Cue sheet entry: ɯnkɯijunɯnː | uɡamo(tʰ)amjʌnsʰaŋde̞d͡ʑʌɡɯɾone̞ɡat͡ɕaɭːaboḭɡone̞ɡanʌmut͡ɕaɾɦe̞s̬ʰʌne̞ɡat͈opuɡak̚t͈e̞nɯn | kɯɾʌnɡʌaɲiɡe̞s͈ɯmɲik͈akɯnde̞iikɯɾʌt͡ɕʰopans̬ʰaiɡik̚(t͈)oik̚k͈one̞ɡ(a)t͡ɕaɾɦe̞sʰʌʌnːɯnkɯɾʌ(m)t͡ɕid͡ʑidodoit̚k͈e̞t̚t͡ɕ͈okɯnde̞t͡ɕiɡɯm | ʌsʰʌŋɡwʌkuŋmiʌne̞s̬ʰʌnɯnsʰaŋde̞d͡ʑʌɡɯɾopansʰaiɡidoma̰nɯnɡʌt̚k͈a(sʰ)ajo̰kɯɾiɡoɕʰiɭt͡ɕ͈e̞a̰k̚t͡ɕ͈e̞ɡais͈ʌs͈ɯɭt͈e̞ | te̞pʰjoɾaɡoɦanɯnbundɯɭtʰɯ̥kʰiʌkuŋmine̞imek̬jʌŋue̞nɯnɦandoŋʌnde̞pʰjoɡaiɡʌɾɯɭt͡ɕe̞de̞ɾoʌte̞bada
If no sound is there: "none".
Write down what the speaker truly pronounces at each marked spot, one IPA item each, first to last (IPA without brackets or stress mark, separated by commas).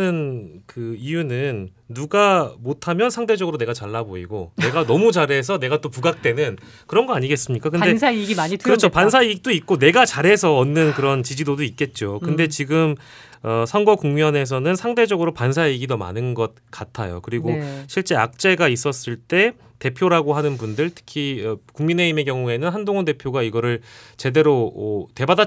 tʰ, t͈, a, n, tʰ